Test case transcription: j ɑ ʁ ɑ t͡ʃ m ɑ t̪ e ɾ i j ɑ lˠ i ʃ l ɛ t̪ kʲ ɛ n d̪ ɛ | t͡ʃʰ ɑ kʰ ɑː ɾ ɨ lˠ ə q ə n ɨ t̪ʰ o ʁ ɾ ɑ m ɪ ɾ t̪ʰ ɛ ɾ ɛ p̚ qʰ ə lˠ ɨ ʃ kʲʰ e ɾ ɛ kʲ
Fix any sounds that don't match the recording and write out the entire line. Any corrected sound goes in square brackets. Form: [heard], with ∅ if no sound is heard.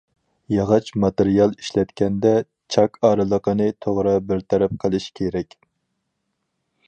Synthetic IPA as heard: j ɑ ʁ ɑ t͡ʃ m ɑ t̪ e ɾ i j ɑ lˠ i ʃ l ɛ t̪ kʲ ɛ n d̪ ɛ | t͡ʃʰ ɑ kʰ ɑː ɾ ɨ lˠ ə q ə n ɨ t̪ʰ o ʁ ɾ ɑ [b] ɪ ɾ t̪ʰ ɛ ɾ ɛ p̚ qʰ ə lˠ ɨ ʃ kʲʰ e ɾ ɛ kʲ